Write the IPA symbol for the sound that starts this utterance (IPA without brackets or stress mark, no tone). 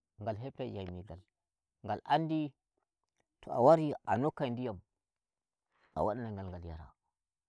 ŋ